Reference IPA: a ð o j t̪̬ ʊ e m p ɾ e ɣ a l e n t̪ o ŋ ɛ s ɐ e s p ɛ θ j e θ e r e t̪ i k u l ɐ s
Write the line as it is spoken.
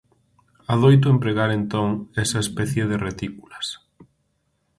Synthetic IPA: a ð o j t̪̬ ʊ e m p ɾ e ɣ a ɾ e n t̪ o ŋ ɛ s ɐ e s p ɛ θ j e ð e r e t̪ i k u l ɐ s